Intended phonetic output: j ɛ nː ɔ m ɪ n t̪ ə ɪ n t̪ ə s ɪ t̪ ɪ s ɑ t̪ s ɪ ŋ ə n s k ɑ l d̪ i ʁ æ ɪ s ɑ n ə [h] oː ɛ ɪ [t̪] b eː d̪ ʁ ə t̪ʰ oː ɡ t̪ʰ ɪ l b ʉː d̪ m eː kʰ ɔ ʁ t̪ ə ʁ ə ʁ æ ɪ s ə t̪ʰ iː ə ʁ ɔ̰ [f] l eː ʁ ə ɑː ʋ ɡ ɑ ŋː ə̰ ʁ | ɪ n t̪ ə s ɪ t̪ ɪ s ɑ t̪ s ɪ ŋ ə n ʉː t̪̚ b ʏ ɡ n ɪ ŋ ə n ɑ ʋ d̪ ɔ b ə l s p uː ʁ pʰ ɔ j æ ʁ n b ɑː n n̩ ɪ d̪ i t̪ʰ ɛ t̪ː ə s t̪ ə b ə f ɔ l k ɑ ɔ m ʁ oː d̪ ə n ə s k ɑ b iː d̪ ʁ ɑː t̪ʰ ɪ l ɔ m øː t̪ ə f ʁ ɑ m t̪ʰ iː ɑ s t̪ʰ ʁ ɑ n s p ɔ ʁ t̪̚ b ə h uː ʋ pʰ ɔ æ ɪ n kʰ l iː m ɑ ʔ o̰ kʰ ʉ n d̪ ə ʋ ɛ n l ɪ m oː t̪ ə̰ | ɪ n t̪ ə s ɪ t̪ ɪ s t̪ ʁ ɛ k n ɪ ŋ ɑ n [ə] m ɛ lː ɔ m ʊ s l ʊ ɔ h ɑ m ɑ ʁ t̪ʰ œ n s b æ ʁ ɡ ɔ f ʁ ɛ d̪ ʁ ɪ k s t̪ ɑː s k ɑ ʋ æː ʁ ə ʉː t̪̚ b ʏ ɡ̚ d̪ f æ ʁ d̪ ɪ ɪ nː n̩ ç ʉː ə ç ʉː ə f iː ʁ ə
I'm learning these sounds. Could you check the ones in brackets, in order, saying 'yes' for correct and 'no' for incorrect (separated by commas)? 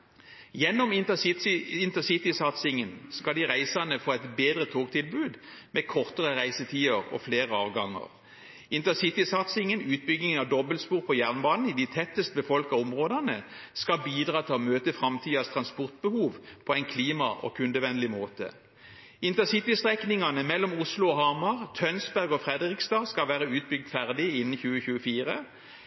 no, yes, yes, yes